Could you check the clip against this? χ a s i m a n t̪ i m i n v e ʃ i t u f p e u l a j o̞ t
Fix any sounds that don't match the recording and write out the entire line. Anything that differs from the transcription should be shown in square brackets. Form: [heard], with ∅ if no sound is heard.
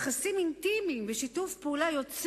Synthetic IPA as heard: χ a s i m [i] n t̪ i m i [m] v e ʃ i t u f p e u l a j o̞ [t͡s]

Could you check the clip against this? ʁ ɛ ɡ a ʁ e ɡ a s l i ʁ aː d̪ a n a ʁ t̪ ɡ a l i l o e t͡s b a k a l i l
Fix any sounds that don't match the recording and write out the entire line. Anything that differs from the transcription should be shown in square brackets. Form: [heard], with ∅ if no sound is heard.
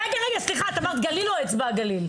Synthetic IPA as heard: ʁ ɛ ɡ a ʁ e ɡ a s l i [χ] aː [t̪] a [m] a ʁ t̪ ɡ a l i l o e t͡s b a [ɡ] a l i l

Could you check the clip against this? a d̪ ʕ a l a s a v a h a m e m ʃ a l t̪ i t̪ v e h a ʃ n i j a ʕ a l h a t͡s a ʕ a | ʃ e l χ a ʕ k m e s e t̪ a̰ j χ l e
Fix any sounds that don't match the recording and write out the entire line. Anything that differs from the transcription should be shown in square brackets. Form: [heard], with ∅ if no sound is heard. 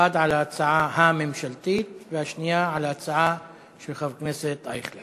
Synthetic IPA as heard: a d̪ ʕ a l a [t͡s] a [ʕ] a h a m e m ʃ a l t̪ i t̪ v e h a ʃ n i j a ʕ a l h a t͡s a ʕ a | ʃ e l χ a [v] k [n] e s e t̪ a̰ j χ l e

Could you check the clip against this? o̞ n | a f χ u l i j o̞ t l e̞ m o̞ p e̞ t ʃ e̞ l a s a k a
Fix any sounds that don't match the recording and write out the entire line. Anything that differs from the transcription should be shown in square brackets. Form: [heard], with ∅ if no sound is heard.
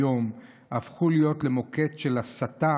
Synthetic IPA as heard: o̞ [m] | a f χ u l i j o̞ t l e̞ m o̞ [k] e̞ t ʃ e̞ l a s a [t] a

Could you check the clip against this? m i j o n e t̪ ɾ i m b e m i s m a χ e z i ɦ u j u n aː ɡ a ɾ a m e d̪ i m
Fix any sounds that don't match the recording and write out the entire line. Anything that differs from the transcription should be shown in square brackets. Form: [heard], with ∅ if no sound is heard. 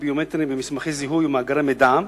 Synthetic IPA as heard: [b] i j o [m] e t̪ ɾ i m b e m i s m a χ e z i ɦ u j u [m] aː ɡ a ɾ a m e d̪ [a] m

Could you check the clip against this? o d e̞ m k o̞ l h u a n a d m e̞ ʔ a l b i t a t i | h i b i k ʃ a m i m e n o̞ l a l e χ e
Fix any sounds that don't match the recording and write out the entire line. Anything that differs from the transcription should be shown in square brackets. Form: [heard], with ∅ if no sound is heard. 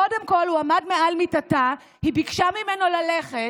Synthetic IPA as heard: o d e̞ m k o̞ l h u a [m] a d m e̞ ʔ a l [m] i t a t [a] | h i b i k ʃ a m i m e n o̞ l a l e χ e

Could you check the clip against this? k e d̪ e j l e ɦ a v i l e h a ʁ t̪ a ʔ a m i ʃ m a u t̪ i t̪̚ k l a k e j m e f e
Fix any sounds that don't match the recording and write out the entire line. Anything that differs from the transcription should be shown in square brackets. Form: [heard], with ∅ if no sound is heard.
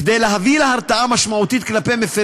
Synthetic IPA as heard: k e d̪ e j l e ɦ a v i l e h a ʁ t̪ a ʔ a m [a] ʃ m a u t̪ i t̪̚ k l a [p] e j m e f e

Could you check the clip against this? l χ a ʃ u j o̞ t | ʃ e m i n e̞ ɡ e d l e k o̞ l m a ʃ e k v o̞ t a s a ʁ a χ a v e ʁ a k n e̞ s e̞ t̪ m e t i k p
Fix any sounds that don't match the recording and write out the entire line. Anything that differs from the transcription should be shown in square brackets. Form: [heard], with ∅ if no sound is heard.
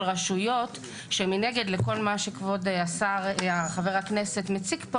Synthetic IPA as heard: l [ʁ] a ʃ u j o̞ t | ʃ e m i n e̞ ɡ e d l e k o̞ l m a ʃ e k v o̞ [d] a s a ʁ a χ a v e ʁ a k n e̞ s e̞ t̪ m e [t͡s] i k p

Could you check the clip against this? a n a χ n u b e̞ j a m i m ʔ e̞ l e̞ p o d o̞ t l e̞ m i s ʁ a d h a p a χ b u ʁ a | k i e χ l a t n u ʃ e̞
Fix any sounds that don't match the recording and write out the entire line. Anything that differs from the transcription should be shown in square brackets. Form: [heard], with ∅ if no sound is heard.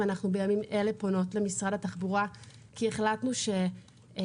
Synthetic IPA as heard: a n a χ n u b e̞ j a m i m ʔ e̞ l e̞ p o [n] o̞ t l e̞ m i s ʁ a d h a [t] a χ b u ʁ a | k i e χ l a t n u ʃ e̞

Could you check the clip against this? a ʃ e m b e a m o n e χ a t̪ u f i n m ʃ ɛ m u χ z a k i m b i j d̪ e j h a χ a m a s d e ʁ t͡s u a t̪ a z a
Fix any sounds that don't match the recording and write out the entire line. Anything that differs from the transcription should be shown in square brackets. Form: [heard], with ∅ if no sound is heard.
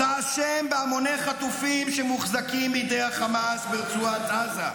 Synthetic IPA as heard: a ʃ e m b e a m o n e χ a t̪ u f i [∅] m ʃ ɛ m u χ z a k i m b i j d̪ e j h a χ a m a s [b] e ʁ t͡s u a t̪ a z a

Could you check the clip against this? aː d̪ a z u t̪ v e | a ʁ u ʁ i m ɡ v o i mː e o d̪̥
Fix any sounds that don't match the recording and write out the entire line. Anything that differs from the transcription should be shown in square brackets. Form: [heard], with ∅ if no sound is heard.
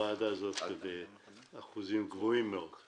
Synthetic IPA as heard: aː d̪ a z [o] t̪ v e | a [χ] u [z] i m ɡ v o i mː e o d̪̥

